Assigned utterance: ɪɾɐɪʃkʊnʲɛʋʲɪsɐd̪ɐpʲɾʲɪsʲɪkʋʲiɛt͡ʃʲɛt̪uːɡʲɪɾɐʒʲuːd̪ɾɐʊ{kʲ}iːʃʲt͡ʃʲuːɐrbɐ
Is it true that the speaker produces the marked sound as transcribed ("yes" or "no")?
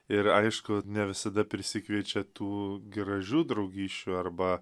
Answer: no